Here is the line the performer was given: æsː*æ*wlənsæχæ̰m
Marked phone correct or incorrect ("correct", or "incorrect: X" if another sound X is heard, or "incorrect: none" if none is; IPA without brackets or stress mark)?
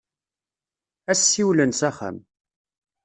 incorrect: i